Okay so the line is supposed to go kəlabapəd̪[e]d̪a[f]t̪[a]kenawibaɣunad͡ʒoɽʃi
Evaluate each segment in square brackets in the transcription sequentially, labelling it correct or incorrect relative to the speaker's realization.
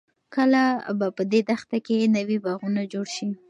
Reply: correct, incorrect, correct

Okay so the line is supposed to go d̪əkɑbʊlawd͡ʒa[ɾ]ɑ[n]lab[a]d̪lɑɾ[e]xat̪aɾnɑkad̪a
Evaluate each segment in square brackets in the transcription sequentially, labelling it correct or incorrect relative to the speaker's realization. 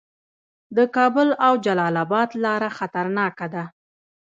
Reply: incorrect, incorrect, incorrect, incorrect

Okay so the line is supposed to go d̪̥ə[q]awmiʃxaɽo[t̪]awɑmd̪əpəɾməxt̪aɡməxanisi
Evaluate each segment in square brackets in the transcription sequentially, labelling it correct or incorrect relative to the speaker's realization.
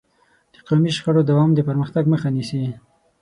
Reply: correct, incorrect

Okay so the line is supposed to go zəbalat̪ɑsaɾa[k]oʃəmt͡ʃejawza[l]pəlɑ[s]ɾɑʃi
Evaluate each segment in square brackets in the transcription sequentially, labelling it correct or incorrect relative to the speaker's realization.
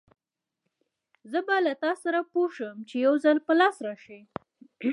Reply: incorrect, correct, correct

